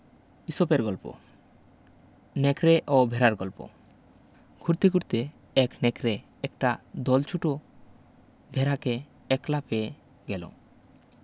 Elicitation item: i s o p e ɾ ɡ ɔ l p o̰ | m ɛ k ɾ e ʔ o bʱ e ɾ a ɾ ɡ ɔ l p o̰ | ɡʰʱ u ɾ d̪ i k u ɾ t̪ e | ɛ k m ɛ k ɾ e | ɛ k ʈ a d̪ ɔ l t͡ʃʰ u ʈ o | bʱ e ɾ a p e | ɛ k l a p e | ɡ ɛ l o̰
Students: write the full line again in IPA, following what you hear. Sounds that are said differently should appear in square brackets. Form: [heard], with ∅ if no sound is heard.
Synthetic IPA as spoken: i s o p e ɾ ɡ ɔ l p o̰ | [n] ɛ k ɾ e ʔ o bʱ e ɾ a ɾ ɡ ɔ l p o̰ | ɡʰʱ u ɾ [t̪] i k u ɾ t̪ e | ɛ k [n] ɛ k ɾ e | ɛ k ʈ a d̪ ɔ l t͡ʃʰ u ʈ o | bʱ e ɾ a [k] e | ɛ k l a p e | ɡ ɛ l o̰